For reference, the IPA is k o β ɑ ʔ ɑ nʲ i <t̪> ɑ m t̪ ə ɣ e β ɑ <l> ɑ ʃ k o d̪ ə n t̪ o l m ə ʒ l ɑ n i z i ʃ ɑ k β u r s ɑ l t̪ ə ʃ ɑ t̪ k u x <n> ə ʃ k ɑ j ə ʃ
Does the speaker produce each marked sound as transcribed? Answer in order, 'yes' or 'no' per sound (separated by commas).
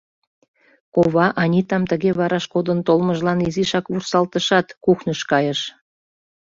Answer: yes, no, yes